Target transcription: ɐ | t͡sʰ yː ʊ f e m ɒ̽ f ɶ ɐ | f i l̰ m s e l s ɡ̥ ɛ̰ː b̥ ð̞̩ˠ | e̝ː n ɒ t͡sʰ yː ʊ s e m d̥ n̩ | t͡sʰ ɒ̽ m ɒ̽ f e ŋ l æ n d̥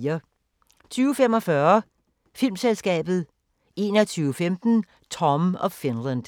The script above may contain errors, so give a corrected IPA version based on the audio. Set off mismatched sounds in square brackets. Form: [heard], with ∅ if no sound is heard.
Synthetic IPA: ɐ | t͡sʰ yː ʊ f e m ɒ̽ f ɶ ɐ | f i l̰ m s e l s ɡ̥ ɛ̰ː b̥ ð̞̩ˠ | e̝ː n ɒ t͡sʰ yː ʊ [f] e m d̥ n̩ | t͡sʰ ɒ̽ m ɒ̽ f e [n] l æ n d̥